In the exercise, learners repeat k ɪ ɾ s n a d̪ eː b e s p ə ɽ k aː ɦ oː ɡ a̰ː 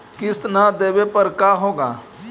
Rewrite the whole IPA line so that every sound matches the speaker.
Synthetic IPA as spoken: k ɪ s n a d̪ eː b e p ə ɾ k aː ɦ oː ɡ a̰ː